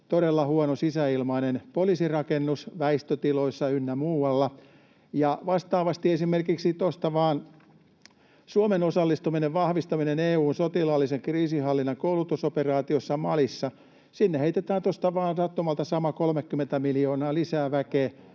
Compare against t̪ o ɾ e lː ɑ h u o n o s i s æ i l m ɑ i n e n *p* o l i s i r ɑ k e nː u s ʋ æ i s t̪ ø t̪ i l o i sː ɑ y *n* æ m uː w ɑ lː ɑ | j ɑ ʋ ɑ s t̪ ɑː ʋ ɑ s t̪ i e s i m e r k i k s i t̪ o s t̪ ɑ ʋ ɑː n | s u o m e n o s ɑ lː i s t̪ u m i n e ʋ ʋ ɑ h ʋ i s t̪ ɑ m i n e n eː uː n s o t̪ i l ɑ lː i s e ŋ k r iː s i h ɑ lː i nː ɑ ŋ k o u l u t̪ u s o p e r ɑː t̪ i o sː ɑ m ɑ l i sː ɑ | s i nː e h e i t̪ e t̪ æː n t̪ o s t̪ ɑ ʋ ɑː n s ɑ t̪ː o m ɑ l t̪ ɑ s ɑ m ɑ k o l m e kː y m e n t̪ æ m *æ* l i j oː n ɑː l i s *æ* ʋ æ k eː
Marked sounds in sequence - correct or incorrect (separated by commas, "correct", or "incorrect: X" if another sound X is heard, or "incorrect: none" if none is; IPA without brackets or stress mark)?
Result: correct, incorrect: nː, incorrect: i, incorrect: æː